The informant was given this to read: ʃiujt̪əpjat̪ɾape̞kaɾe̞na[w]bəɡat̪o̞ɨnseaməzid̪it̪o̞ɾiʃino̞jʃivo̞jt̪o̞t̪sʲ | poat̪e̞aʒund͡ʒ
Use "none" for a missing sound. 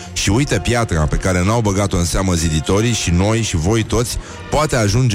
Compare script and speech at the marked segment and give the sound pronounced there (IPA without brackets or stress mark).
w